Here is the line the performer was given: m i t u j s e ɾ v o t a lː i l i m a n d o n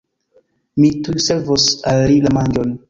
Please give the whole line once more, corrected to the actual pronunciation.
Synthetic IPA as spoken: m i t u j s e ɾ v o s a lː i l a m a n d͡ʒ o n